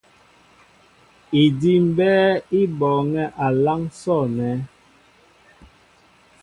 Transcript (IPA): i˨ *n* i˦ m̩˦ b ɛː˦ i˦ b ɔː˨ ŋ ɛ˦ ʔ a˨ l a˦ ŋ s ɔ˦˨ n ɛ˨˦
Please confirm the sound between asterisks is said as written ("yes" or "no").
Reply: no